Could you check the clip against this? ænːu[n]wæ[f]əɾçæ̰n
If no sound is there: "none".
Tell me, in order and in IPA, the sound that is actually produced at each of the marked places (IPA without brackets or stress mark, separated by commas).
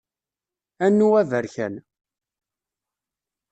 none, v